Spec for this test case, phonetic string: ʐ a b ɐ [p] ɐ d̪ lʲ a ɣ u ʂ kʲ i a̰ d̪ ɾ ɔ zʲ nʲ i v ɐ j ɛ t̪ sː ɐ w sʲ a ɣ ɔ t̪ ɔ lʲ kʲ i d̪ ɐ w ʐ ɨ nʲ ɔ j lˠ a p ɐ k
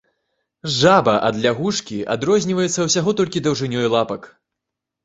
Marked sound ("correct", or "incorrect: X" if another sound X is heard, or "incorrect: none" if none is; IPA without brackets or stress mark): incorrect: ʔ